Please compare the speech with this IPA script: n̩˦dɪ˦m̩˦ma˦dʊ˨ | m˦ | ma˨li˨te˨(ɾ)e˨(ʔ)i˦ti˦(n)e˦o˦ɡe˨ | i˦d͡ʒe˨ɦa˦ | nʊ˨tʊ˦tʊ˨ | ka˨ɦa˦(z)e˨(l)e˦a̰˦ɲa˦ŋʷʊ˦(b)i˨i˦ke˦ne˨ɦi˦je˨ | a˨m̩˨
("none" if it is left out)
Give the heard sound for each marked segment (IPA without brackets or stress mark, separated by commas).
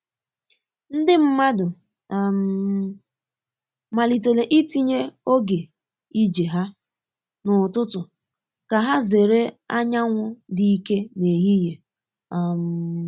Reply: l, ʔ, ɲ, z, ɾ, d